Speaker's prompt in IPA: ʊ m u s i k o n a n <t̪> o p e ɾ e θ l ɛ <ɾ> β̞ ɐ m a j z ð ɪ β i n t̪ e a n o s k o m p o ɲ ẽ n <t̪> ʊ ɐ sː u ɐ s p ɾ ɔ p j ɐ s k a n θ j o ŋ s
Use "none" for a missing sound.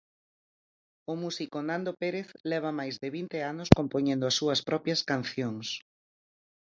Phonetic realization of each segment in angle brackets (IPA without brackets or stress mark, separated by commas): d̪, none, d̪